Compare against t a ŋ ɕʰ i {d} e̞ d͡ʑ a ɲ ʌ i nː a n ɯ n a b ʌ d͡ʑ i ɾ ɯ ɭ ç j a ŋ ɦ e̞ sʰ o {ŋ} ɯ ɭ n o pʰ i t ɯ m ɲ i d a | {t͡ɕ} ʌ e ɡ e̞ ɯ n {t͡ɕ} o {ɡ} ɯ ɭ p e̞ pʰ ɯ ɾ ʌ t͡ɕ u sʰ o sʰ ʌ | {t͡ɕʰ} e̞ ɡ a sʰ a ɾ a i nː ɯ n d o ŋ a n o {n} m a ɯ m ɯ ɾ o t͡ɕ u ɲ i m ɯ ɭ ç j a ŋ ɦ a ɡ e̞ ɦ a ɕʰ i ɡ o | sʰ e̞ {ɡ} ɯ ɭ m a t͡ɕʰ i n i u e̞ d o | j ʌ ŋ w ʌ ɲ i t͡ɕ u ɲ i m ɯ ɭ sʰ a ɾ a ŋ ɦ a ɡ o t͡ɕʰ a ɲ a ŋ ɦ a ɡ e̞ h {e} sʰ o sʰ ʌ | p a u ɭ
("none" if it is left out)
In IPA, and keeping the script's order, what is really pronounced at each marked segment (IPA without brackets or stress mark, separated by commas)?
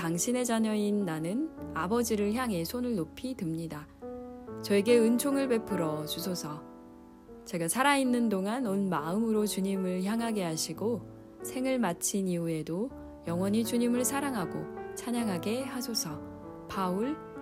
n, n, t͡ɕ, t͡ɕʰ, ŋ, t͡ɕ, n, ŋ, a